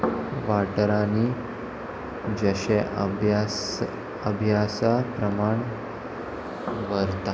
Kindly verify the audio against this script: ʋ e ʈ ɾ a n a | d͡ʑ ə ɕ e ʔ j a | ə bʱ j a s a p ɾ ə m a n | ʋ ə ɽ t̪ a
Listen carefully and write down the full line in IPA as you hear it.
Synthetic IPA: ʋ a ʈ ɾ a n i | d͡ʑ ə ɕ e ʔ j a | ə bʱ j a s a p ɾ ə m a ɳ | ʋ ə ɾ t̪ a